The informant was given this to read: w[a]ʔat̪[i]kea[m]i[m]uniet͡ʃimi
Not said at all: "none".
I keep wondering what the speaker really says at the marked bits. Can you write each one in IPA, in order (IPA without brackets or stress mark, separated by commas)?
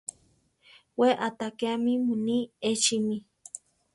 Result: e, a, m, m